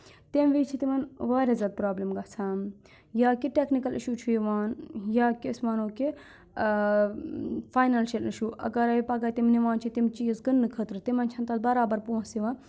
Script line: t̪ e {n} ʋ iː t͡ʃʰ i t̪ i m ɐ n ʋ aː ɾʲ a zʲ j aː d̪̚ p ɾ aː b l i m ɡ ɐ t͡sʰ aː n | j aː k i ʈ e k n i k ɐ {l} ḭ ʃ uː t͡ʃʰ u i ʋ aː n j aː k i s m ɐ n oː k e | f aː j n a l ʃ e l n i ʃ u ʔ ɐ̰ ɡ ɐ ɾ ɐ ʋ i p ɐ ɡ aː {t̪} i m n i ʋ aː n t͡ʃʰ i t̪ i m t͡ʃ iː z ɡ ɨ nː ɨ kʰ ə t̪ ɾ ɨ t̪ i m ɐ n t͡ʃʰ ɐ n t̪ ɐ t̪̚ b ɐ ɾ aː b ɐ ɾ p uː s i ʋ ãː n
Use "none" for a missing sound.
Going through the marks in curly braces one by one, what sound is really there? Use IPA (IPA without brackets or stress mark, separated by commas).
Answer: m, l, t̪